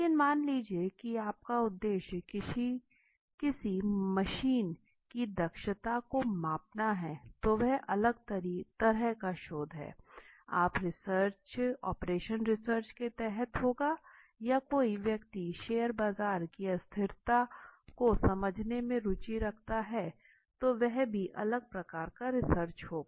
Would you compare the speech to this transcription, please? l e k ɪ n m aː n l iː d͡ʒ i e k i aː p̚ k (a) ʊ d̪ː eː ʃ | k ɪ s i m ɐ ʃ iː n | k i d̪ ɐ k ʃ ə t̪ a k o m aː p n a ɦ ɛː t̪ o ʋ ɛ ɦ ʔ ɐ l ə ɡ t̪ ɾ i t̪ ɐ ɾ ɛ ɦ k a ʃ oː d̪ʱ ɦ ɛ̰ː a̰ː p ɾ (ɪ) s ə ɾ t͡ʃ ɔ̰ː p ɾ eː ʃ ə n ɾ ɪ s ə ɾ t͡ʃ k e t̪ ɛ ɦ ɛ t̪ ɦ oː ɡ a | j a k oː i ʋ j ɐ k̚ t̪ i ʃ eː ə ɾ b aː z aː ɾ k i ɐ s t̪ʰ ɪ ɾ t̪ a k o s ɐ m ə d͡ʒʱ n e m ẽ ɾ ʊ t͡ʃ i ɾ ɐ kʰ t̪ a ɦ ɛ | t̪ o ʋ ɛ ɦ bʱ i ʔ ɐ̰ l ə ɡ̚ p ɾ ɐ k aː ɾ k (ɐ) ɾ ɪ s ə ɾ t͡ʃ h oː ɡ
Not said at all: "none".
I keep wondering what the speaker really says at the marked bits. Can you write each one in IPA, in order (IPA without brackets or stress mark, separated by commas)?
a, ɪ, a